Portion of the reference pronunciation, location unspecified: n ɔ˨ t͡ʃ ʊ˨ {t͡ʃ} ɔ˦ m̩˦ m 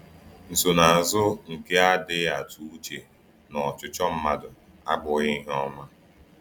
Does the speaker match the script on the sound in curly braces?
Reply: yes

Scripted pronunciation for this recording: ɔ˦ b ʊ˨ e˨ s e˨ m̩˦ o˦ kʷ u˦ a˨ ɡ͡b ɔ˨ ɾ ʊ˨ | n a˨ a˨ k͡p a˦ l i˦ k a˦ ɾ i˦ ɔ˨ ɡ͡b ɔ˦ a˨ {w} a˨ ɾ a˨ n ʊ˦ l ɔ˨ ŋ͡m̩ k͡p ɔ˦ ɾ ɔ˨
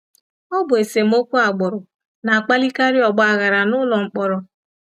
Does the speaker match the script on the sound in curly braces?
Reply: no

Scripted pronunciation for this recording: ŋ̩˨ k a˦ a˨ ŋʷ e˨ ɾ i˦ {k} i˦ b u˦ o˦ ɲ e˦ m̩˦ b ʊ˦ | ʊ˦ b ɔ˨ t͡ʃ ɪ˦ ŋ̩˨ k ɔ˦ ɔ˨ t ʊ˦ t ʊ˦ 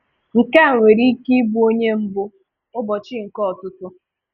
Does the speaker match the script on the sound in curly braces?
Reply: yes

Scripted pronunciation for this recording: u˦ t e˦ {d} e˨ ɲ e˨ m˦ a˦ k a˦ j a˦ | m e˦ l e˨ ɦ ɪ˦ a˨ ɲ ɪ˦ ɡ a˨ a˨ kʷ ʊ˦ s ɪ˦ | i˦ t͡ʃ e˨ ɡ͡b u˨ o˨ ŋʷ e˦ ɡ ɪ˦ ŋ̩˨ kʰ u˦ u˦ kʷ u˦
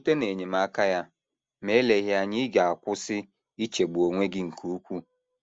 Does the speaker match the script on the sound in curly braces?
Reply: no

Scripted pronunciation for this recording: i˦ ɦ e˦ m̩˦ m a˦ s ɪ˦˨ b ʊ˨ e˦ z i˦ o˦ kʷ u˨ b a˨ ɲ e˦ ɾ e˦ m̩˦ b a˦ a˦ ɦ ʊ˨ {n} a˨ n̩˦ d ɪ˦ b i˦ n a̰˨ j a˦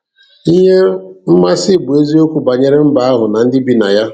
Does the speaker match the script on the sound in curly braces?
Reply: yes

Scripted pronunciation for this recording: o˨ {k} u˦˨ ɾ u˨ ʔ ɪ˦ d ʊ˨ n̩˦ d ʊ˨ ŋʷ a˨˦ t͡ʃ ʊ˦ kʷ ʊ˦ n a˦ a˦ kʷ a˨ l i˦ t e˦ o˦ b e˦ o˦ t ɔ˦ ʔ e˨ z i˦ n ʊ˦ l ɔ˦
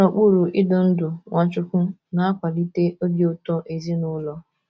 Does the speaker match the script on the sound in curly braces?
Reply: no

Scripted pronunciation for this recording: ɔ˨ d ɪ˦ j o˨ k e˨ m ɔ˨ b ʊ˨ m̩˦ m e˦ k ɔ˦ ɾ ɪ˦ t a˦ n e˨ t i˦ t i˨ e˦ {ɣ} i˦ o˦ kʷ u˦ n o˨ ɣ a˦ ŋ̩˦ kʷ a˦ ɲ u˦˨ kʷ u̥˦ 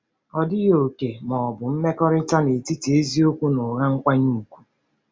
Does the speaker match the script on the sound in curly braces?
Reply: no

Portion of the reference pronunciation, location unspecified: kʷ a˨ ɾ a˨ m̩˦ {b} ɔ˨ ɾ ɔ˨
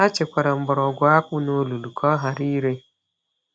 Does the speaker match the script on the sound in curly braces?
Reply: yes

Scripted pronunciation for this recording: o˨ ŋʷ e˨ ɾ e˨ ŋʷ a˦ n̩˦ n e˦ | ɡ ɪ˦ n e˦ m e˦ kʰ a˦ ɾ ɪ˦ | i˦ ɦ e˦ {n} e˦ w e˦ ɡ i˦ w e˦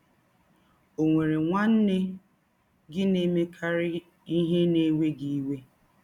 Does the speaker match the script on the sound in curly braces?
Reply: yes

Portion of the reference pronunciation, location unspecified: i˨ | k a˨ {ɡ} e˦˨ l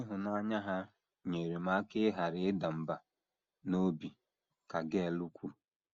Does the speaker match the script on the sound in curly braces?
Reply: yes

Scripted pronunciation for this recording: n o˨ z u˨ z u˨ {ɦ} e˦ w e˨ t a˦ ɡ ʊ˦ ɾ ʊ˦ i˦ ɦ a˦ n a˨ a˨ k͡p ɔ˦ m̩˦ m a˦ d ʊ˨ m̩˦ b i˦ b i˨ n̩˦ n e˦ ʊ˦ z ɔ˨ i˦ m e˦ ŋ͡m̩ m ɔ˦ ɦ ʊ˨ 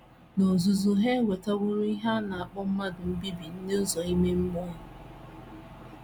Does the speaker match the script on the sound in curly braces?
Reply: yes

